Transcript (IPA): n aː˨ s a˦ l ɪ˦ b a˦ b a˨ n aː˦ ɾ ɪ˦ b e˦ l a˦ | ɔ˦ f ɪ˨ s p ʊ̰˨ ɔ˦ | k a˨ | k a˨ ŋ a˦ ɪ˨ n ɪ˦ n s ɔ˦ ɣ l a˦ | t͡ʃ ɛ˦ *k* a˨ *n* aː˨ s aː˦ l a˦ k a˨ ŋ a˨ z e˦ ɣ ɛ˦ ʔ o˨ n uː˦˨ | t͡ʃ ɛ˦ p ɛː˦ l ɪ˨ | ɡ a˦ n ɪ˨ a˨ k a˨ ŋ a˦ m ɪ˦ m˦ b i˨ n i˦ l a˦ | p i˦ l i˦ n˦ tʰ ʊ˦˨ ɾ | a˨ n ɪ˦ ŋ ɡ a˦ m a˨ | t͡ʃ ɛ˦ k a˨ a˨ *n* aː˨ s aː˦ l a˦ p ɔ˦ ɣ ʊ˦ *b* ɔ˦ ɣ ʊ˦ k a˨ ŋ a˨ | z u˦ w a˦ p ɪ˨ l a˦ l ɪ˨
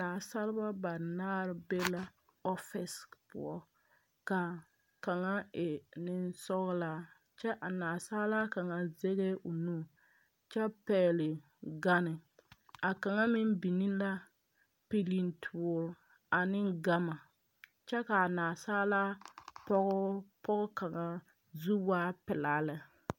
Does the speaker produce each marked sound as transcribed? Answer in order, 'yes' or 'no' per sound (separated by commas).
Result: no, yes, yes, no